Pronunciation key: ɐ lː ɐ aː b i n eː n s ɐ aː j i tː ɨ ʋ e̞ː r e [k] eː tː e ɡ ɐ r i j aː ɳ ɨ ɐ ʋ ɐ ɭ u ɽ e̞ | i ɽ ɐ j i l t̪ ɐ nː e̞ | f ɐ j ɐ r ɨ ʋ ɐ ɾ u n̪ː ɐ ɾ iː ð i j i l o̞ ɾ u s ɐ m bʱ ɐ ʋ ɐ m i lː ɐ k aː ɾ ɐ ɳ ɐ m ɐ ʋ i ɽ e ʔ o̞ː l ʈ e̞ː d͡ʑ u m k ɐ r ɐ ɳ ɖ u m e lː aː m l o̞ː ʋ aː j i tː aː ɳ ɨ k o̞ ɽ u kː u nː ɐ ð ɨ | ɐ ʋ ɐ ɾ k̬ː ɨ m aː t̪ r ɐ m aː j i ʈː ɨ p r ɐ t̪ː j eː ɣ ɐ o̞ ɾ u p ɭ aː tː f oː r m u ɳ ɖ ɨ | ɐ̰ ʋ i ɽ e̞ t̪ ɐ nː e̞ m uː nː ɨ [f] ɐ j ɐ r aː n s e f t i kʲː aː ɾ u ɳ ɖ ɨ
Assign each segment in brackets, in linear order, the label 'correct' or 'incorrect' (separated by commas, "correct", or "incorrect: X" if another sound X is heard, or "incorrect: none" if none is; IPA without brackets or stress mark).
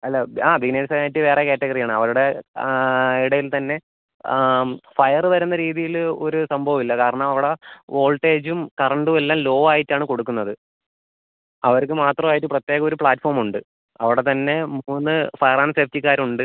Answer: correct, correct